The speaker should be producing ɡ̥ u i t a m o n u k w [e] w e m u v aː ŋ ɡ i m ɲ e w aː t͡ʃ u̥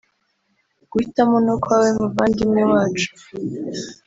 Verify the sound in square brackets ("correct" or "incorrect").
incorrect